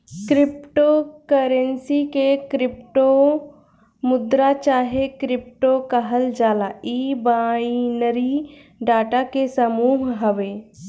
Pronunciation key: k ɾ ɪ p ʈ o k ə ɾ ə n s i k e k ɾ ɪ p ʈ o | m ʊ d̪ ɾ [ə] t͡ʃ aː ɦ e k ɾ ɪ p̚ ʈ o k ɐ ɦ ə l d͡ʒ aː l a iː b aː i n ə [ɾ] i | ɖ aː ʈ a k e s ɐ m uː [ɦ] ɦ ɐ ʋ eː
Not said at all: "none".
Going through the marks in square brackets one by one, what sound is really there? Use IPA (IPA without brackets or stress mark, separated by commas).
a, ɾ, ɦ